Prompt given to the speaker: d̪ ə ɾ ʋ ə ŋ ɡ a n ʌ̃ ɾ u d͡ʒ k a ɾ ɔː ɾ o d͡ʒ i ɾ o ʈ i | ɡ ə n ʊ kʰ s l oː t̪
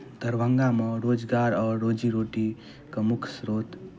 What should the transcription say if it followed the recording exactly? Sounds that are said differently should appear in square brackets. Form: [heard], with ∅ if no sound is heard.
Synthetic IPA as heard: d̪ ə ɾ ʋ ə ŋ ɡ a [m] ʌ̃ ɾ [o] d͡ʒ [ɡ] a ɾ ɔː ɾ o d͡ʒ i ɾ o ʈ i | [k] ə [m] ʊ kʰ s [ɾ] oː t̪